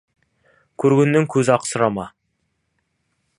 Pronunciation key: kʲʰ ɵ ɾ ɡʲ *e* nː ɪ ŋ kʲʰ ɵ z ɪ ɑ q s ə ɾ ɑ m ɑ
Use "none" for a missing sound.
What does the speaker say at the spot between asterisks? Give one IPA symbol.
e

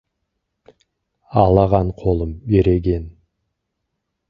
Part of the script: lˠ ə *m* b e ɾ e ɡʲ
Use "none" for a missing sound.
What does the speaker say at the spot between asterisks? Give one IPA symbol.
m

